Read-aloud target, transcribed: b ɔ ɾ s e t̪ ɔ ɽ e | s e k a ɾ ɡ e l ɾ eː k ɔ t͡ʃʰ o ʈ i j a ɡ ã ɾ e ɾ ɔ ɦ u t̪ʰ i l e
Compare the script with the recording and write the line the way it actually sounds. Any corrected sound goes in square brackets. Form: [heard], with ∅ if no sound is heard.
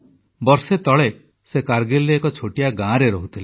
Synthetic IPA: b ɔ ɾ s e t̪ ɔ [ɭ] e | s e k a ɾ ɡ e l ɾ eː k ɔ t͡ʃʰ o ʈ i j a ɡ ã ɾ e ɾ ɔ ɦ u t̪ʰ i l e

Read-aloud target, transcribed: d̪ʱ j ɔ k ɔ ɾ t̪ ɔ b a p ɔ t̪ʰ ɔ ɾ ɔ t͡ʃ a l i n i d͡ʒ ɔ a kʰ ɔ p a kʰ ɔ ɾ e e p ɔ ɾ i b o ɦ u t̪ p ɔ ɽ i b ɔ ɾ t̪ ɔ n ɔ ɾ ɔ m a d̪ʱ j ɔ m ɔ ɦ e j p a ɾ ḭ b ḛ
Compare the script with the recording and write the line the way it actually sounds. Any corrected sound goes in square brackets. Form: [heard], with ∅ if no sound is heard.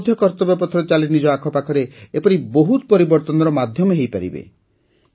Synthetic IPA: d̪ʱ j ɔ k ɔ ɾ t̪ ɔ b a p ɔ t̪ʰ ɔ ɾ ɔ t͡ʃ a l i n i d͡ʒ ɔ a kʰ ɔ p a kʰ ɔ ɾ e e p ɔ ɾ i b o ɦ u t̪ p ɔ [ɾ] i b ɔ ɾ t̪ ɔ n ɔ ɾ ɔ m a d̪ʱ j ɔ m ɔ ɦ e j p a ɾ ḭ b ḛ

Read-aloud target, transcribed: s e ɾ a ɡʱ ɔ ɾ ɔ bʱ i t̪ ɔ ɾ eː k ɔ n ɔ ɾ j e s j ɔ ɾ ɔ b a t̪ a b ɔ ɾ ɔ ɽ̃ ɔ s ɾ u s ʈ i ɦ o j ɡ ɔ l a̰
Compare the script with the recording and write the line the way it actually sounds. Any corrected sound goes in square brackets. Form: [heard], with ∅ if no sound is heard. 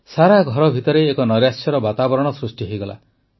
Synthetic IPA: s [a] ɾ a ɡʱ ɔ ɾ ɔ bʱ i t̪ ɔ ɾ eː k ɔ n ɔ ɾ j [a] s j ɔ ɾ ɔ b a t̪ a b ɔ ɾ ɔ ɽ̃ ɔ s ɾ u s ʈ i ɦ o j ɡ ɔ l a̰

